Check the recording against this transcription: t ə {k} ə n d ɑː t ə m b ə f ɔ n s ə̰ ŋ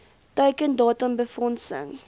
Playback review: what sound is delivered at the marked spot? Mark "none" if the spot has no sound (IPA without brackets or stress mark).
k